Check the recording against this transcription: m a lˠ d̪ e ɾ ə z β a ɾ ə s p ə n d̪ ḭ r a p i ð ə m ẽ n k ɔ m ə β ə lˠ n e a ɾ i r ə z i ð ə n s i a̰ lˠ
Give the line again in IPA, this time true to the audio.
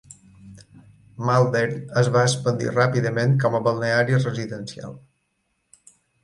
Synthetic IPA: m a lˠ d̪ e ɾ ə z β a ə s p ə n d̪ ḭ r a p i ð ə m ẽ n k ɔ m ə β ə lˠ n e a ɾ i r ə z i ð ə n s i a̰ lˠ